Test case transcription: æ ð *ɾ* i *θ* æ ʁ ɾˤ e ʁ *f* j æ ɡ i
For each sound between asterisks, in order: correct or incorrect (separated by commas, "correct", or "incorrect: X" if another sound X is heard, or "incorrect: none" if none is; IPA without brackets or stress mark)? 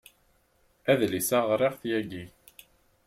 incorrect: l, incorrect: s, incorrect: θ